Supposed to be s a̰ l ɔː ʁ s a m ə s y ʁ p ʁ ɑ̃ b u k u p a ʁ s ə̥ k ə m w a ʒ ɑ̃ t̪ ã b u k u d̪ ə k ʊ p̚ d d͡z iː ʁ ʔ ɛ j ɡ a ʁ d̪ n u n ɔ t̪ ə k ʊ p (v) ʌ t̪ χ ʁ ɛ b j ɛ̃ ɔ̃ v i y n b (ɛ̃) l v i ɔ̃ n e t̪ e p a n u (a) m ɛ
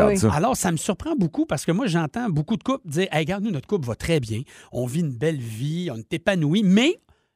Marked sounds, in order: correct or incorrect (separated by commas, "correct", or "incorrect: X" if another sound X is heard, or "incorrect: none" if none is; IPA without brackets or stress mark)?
correct, incorrect: ɛ, incorrect: i